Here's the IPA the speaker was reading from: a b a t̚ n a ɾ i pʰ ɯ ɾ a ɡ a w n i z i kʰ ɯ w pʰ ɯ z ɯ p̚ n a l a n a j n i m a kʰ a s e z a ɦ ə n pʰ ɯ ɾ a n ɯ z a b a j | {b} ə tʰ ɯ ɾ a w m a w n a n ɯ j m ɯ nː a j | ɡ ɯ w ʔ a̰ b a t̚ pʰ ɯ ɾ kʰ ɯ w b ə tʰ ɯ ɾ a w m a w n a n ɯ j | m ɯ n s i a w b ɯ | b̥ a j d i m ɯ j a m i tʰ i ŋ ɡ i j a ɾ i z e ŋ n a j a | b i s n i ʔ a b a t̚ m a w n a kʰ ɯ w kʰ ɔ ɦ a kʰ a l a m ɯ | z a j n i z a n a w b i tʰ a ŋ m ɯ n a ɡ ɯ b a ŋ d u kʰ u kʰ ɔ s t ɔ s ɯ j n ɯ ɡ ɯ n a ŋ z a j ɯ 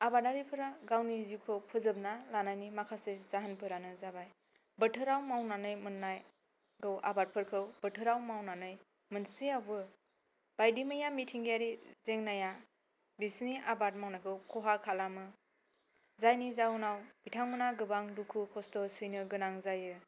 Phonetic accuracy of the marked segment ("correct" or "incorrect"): correct